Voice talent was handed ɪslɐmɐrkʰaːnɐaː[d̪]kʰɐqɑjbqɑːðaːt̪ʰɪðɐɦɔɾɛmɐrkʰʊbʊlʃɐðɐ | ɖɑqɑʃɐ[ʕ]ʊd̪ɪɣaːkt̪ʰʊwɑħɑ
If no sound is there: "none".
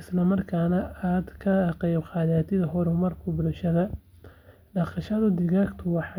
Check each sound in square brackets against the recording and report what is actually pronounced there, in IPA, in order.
d̪, ð

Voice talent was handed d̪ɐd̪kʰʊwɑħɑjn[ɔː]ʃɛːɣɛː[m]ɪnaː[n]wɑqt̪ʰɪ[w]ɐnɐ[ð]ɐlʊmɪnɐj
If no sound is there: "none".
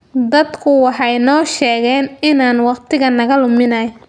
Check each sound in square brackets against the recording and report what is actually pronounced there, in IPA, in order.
ɔː, n, n, ɣ, ɣ

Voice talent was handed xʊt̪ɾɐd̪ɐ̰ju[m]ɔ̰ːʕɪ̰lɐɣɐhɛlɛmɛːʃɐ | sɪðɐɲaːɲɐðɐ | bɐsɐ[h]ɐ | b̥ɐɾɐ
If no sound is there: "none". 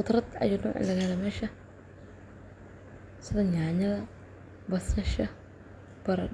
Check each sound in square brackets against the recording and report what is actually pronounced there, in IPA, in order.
n, ʃ

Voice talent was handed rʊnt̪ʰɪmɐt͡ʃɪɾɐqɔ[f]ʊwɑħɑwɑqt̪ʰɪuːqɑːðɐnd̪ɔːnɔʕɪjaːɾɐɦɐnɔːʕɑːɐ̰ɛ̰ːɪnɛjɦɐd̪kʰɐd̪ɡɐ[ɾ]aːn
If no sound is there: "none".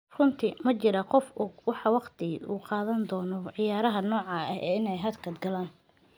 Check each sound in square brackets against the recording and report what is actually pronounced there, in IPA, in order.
f, l

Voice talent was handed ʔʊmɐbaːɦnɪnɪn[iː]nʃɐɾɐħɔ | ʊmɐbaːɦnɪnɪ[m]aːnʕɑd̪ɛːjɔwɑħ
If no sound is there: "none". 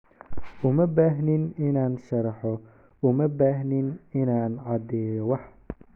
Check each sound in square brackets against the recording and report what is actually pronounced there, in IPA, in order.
aː, n

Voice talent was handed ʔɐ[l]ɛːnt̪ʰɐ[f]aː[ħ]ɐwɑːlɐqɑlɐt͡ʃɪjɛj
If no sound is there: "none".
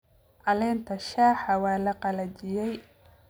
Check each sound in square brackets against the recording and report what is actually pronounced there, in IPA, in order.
l, ʃ, ħ

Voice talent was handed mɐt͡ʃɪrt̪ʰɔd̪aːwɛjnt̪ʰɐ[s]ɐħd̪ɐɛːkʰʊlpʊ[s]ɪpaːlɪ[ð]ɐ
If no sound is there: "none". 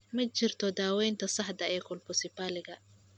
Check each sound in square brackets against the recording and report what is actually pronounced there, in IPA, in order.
s, s, ɣ

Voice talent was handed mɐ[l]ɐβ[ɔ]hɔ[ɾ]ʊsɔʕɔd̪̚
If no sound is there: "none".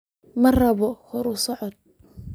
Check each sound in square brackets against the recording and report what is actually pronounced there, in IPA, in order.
r, ɔ, ɾ

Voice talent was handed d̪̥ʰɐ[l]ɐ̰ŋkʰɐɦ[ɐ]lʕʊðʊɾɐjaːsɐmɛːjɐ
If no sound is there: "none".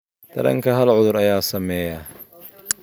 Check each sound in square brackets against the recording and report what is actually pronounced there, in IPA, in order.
ɾ, ɐ

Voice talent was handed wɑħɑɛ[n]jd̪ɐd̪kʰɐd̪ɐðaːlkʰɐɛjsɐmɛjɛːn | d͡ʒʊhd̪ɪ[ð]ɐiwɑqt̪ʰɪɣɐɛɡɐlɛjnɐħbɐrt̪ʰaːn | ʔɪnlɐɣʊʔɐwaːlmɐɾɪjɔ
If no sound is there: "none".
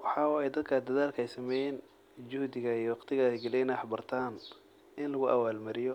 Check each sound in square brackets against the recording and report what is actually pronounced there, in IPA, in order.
none, ɣ

